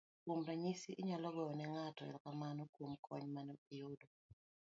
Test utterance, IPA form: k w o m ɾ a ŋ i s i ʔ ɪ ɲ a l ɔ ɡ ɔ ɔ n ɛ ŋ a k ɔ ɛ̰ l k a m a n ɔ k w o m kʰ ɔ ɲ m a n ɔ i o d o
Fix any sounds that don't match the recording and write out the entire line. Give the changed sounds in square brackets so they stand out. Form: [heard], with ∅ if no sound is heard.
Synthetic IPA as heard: k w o m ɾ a [ɲ] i s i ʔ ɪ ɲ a l ɔ ɡ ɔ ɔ n ɛ ŋ a [t] ɔ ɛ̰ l k a m a n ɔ k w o m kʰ ɔ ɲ m a n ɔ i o d o